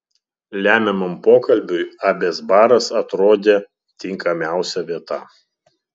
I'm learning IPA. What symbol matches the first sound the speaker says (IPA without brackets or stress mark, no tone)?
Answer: lʲ